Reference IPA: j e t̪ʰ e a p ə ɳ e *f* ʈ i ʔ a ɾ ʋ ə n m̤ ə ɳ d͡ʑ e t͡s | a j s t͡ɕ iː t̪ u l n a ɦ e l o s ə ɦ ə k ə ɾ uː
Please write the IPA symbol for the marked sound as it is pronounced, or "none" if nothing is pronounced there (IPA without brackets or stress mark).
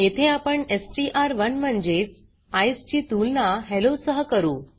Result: s